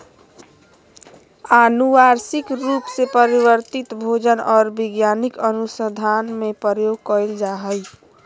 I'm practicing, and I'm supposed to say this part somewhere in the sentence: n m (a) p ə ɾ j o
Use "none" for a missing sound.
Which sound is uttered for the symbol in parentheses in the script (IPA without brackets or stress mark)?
e